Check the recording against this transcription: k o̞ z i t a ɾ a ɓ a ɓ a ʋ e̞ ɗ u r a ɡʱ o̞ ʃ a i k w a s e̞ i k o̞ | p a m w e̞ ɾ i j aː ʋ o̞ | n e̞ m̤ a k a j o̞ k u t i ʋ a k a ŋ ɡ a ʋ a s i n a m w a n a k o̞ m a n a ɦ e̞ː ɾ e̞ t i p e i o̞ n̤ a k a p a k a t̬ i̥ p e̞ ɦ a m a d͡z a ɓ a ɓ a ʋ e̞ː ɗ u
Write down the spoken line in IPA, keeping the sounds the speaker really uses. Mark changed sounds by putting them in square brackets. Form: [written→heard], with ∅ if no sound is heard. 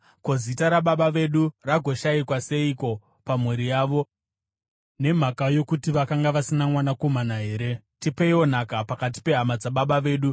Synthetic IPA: k o̞ z i t a ɾ a ɓ a ɓ a ʋ e̞ ɗ u r a ɡʱ o̞ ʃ a i k w a s e̞ i k o̞ | p a m w e̞ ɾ i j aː ʋ o̞ | n e̞ m̤ a k a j o̞ k u t i ʋ a k a ŋ ɡ a ʋ a s i n a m w a n a k o̞ m a n a ɦ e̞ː ɾ e̞ t i p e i o̞ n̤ a k a p a k a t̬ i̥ p e̞ ɦ a m a d͡z a ɓ a ɓ a ʋ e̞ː ɗ u